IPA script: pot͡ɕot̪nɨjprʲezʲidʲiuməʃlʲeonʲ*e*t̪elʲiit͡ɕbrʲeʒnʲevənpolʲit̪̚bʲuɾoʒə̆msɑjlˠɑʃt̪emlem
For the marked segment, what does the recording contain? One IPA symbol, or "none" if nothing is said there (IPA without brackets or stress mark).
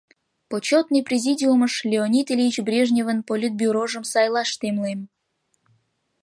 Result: i